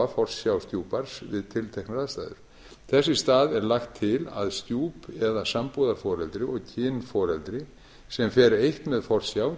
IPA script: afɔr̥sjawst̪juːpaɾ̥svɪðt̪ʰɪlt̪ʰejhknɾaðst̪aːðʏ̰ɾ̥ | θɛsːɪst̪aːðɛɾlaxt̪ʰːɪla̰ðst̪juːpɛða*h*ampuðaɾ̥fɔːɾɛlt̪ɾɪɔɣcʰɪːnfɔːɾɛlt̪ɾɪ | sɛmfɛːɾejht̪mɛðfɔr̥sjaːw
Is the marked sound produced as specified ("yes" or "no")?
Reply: no